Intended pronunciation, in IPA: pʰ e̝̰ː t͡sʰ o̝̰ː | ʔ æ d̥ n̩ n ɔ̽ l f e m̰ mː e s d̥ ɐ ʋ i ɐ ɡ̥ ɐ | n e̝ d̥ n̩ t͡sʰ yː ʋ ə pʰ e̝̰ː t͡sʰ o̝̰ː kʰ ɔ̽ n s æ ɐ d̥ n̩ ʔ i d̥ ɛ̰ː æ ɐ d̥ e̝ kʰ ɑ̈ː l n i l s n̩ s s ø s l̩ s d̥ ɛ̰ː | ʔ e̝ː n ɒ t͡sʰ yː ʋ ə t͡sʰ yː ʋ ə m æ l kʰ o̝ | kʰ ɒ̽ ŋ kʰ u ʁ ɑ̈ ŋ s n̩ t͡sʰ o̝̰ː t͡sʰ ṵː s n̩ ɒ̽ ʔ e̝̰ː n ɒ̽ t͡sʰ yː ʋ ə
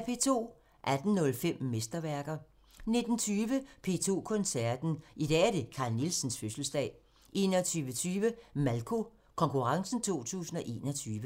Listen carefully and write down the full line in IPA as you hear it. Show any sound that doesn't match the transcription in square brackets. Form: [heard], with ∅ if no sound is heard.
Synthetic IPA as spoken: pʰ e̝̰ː t͡sʰ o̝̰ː | ʔ æ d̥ n̩ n ɔ̽ l f e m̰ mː e s d̥ ɐ ʋ [æ] ɐ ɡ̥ ɐ | n e̝ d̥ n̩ t͡sʰ yː ʋ ə pʰ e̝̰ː t͡sʰ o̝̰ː kʰ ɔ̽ n s æ ɐ d̥ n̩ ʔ i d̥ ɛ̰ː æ ɐ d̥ e̝ kʰ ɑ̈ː l n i l s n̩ s [f] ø s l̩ s d̥ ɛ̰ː | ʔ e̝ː n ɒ t͡sʰ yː ʋ ə t͡sʰ yː ʋ ə m æ l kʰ o̝ | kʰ ɒ̽ ŋ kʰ u ʁ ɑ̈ ŋ s n̩ t͡sʰ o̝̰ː t͡sʰ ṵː s n̩ ɒ̽ ʔ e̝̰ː n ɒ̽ t͡sʰ yː ʋ ə